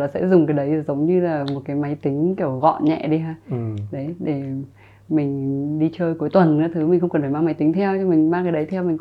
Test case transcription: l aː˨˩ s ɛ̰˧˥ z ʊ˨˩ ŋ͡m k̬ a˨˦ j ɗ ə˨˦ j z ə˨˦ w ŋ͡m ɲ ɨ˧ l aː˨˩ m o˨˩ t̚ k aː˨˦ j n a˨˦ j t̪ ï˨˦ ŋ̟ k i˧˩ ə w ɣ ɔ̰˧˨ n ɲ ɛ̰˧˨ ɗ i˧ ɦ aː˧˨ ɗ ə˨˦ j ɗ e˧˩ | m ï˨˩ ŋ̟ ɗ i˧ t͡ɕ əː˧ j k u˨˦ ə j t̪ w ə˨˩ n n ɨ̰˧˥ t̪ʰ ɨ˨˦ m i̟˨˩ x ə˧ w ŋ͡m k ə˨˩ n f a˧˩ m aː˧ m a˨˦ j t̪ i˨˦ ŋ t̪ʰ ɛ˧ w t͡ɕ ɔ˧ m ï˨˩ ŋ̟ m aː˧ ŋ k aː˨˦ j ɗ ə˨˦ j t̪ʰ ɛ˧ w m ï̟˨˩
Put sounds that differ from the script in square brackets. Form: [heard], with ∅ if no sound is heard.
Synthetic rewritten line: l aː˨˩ s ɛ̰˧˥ z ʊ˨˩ ŋ͡m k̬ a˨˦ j ɗ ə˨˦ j z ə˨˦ w ŋ͡m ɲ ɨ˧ l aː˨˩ m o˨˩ t̚ k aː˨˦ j [m] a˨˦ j t̪ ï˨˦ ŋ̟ k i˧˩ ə w ɣ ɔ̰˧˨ n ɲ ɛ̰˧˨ ɗ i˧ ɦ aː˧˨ ɗ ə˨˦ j ɗ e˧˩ | m ï˨˩ ŋ̟ ɗ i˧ t͡ɕ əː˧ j k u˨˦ ə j t̪ w ə˨˩ n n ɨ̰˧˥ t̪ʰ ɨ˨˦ m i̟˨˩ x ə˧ w ŋ͡m k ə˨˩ n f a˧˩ m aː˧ m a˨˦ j t̪ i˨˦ ŋ t̪ʰ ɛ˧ w t͡ɕ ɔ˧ m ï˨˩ ŋ̟ m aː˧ ŋ k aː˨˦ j ɗ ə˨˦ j t̪ʰ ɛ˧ w m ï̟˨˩